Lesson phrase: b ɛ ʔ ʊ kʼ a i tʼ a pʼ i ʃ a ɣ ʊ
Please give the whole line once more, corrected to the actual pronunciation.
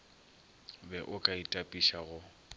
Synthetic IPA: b ɛ ʔ ʊ kʼ a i tʼ a pʼ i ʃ a ɣ ʊ

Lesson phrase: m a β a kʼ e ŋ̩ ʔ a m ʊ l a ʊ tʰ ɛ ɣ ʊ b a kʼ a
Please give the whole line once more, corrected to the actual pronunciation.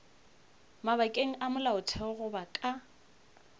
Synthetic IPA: m a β a kʼ e ŋ̩ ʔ a m ʊ l a ʊ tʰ ɛ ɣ ʊ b a kʼ a

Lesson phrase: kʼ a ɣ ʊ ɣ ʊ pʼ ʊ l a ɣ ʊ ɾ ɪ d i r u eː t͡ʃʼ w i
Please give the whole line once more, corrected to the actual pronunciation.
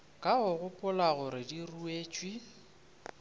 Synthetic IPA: kʼ a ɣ ʊ ɣ ʊ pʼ ʊ l a ɣ ʊ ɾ ɪ d i r u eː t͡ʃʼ w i

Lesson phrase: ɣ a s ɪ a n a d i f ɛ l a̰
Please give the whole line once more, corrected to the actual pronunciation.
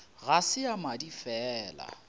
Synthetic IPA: ɣ a s ɪ a m a d i f ɛː l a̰

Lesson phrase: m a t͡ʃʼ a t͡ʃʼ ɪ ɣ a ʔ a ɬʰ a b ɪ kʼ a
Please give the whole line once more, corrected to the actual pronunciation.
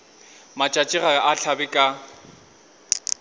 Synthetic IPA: m a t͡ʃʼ a t͡ʃʼ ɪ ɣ a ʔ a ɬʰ a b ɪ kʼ a

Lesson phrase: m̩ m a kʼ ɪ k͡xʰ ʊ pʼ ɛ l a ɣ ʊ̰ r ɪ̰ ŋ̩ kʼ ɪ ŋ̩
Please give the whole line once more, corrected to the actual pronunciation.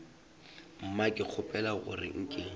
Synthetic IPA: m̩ m a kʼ ɪ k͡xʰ ʊ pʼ ɛ l a ɣ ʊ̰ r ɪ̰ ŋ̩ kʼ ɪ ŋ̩

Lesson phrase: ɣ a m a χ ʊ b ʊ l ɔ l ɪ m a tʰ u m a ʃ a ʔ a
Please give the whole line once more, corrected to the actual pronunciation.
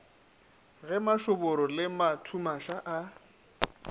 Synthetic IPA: ɣ ɛ m a ʃ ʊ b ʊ ɾ ɔ l ɪ m a tʰ u m a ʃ a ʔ a

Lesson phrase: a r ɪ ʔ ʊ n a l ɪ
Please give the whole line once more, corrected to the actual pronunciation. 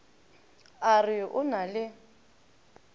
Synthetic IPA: a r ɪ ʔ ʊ n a l ɪ

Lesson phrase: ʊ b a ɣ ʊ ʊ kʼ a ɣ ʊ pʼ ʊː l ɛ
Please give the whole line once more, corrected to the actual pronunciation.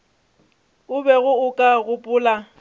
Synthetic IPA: ʊ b ɛ ɣ ʊ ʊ kʼ a ɣ ʊ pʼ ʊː l a

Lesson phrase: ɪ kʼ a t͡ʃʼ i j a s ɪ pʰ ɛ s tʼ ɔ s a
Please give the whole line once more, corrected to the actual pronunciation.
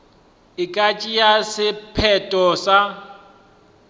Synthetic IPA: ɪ kʼ a t͡ʃʼ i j a s ɪ pʰ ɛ tʼ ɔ s a

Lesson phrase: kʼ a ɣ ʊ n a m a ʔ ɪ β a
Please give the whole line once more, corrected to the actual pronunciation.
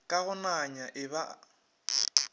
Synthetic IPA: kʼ a ɣ ʊ n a ɲ a ʔ ɪ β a

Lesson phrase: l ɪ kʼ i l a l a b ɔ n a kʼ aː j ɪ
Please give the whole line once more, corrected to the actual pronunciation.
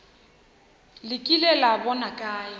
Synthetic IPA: l ɪ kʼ i l ɛ l a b ɔ n a kʼ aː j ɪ

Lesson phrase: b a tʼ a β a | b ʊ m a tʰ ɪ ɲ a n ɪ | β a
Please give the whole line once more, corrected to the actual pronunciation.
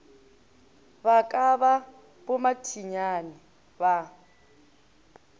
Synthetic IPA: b a kʼ a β a | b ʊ m a tʰ i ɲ a n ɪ | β a

